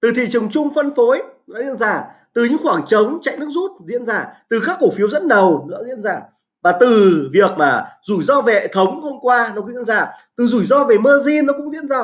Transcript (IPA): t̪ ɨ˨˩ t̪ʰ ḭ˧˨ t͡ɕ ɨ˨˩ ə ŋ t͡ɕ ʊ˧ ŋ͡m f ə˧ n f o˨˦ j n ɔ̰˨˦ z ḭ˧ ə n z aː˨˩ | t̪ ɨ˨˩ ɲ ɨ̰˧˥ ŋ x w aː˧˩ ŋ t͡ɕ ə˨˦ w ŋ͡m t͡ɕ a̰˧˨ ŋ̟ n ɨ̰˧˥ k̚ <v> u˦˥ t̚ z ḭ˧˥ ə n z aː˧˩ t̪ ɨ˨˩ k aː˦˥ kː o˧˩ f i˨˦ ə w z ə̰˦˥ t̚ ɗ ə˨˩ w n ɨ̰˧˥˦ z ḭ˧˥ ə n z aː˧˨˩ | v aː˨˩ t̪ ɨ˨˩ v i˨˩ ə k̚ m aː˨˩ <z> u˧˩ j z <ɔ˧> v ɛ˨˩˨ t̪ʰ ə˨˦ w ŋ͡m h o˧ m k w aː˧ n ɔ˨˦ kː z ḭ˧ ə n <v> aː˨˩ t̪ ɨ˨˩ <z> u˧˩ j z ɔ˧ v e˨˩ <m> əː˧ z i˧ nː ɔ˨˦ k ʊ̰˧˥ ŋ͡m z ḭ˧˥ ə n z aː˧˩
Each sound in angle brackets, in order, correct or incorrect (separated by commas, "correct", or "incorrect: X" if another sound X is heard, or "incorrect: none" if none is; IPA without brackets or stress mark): incorrect: z, correct, correct, incorrect: z, correct, correct